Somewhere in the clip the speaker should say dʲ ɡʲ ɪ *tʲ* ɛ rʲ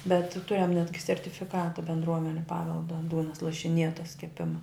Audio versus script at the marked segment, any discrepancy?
yes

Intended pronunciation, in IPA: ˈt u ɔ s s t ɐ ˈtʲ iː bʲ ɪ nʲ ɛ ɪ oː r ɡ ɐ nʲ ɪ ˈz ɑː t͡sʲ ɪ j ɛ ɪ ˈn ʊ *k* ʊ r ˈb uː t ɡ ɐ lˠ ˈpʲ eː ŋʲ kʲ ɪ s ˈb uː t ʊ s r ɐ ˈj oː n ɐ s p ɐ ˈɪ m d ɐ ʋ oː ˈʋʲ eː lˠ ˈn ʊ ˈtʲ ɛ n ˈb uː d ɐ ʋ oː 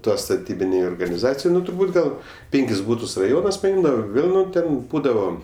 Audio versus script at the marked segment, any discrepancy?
yes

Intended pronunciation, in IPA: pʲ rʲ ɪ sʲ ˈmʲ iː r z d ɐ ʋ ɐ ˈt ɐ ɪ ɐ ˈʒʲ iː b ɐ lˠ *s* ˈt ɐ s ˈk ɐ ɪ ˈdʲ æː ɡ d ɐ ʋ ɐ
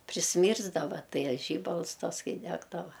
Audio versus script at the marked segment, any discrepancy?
no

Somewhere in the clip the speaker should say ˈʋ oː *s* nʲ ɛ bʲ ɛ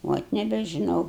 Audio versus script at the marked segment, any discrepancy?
yes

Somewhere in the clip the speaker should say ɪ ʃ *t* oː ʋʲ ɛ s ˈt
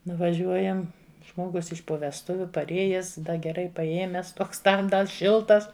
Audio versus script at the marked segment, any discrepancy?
yes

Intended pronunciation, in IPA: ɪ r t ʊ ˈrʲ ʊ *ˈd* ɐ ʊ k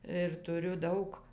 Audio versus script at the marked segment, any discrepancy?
no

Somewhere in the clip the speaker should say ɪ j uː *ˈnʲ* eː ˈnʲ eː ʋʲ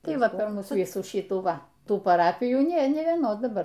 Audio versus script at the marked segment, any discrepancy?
no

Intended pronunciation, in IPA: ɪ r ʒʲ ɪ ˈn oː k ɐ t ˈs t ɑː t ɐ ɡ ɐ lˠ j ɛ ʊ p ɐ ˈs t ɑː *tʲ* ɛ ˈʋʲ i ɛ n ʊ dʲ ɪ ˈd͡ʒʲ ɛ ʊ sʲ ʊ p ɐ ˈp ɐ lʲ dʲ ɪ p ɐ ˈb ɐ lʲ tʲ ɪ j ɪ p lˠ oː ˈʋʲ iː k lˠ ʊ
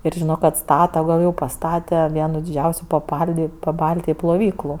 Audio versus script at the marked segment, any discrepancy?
no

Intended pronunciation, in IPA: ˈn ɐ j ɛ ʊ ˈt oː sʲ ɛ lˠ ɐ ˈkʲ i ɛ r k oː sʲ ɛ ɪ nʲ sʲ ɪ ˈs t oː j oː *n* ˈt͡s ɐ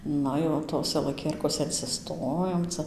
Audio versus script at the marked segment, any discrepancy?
yes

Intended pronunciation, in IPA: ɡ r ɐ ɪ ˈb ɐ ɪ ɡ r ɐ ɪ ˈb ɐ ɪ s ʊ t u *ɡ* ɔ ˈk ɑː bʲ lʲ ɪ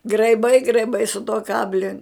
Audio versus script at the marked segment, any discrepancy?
yes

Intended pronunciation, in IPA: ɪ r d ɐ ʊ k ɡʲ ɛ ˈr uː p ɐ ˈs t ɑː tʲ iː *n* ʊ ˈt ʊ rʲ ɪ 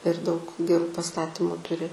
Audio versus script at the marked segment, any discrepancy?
yes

